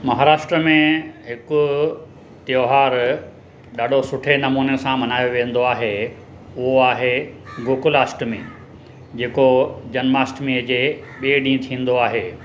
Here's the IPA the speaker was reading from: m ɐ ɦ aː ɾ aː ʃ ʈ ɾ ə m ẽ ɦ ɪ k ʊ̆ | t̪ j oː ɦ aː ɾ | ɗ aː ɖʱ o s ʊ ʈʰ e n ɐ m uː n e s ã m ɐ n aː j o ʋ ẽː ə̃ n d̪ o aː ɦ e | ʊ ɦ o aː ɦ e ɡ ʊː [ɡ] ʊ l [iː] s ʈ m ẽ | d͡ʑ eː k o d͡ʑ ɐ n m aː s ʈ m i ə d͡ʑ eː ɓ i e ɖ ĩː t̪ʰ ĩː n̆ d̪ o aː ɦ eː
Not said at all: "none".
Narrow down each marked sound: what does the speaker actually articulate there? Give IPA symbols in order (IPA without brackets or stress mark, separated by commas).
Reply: k, aː